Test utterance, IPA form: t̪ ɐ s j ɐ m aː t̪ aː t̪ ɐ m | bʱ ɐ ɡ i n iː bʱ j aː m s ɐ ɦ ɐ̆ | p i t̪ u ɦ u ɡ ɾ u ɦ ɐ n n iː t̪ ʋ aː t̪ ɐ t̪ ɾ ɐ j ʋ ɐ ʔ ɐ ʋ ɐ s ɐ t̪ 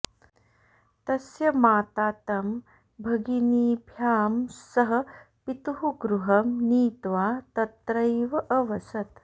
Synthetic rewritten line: t̪ ɐ s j ɐ m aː t̪ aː t̪ ɐ m | bʱ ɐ ɡ i n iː bʱ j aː m s ɐ ɦ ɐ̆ | p i t̪ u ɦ u ɡ ɾ u ɦ ɐ m n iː t̪ ʋ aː t̪ ɐ t̪ ɾ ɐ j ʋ ɐ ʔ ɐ ʋ ɐ s ɐ t̪